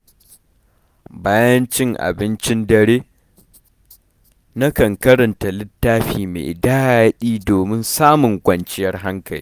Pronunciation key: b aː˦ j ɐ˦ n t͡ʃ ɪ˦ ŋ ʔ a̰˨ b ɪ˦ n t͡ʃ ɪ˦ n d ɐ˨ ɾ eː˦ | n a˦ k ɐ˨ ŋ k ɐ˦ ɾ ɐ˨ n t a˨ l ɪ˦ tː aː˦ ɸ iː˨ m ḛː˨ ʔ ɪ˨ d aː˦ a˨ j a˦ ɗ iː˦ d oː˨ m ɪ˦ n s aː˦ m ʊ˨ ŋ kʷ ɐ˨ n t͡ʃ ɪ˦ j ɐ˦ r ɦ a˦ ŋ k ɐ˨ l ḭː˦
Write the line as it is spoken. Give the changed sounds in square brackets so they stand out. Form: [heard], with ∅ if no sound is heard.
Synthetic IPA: b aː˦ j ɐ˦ n t͡ʃ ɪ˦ ŋ ʔ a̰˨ b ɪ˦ n t͡ʃ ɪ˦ n d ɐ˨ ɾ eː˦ | n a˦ k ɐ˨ ŋ k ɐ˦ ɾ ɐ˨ n t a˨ l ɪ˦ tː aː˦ ɸ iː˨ m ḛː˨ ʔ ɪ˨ d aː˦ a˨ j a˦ ɗ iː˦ d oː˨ m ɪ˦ n s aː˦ m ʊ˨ ŋ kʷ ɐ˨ n t͡ʃ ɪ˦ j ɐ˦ r ɦ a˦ ŋ k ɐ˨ l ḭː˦